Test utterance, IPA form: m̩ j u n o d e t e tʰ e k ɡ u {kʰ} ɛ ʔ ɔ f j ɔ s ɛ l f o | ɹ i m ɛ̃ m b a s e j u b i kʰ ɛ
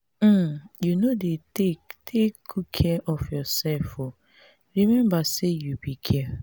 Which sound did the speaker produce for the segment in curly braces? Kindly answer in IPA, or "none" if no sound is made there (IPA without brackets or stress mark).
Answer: kʰ